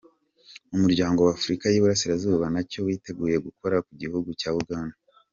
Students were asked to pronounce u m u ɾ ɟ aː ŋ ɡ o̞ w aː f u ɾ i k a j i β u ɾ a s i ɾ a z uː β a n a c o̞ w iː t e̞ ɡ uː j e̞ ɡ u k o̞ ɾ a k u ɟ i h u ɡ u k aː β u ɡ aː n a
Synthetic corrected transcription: u m u ɾ ɟ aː ŋ ɡ o̞ w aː f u ɾ i k a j i β u ɾ a s i ɾ a z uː β a n a c o̞ w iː t e̞ ɡ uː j e̞ ɡ u k o̞ ɾ a k u ɟ i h u ɡ u c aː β u ɡ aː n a